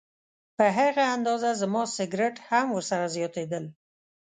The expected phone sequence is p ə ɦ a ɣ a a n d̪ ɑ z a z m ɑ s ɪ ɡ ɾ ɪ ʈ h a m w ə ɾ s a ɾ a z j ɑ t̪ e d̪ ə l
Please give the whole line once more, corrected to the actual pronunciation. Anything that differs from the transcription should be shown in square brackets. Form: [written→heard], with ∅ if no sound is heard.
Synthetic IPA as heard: p ə ɦ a ɣ a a n d̪ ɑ z a z m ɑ s ɪ ɡ ɾ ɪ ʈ h a m w ə ɾ s a ɾ a z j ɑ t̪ e d̪ ə l